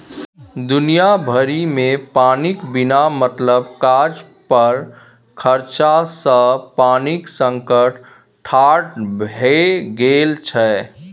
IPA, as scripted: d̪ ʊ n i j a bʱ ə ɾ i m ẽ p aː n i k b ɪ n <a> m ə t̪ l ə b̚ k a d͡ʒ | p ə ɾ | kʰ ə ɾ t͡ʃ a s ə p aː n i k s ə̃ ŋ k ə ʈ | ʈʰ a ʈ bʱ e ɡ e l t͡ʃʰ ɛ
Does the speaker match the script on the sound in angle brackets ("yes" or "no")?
yes